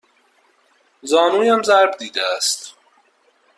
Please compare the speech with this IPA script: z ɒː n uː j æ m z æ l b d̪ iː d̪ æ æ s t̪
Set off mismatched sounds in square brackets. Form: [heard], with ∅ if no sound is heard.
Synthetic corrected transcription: z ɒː n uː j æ m z æ [ɾ] b d̪ iː d̪ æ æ s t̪

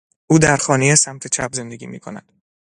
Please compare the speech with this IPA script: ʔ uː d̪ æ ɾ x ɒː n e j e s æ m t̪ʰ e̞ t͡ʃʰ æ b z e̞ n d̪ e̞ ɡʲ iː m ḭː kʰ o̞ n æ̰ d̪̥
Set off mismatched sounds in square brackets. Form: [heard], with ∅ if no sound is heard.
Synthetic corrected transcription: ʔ uː d̪ æ ɾ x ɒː n e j e s æ m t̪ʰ e̞ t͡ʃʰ æ b z e̞ n d̪ e̞ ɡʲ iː m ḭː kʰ o̞ n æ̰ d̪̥

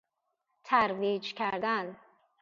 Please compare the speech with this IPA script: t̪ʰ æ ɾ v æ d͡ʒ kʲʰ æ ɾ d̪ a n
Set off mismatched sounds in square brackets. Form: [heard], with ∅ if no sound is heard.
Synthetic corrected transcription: t̪ʰ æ ɾ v [i] d͡ʒ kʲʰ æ ɾ d̪ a n

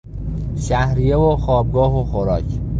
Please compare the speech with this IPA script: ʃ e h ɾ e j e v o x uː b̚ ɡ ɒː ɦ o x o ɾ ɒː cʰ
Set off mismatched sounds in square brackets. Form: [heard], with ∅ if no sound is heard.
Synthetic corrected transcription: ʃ [æ] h ɾ [i] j e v o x [ɒː] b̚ ɡ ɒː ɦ o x o ɾ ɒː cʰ

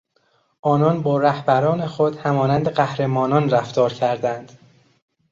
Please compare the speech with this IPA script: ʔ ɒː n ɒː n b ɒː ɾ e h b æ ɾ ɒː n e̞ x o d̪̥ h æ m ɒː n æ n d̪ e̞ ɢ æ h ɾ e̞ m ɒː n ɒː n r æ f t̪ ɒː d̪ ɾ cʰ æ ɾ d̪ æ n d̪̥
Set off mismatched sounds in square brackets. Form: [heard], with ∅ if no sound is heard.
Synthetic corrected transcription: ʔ ɒː n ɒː n b ɒː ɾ [æ] h b æ ɾ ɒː n e̞ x o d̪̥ h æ m ɒː n æ n d̪ e̞ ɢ æ h ɾ e̞ m ɒː n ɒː n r æ f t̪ ɒː [∅] ɾ cʰ æ ɾ d̪ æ n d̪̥

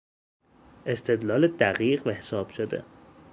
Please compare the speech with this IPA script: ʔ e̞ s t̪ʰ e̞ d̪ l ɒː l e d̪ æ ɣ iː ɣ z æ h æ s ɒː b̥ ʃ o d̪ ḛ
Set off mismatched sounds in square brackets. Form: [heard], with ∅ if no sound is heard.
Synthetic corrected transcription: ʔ e̞ s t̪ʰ e̞ d̪ l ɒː l e d̪ æ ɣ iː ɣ [v] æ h [e] s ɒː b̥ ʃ o d̪ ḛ

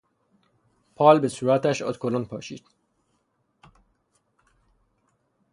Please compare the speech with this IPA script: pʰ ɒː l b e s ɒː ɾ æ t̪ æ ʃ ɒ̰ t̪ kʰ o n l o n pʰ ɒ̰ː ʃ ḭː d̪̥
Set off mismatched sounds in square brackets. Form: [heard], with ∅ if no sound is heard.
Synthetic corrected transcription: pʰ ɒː l b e s [uː] ɾ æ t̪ æ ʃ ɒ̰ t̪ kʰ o [∅] l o n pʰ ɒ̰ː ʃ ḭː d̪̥

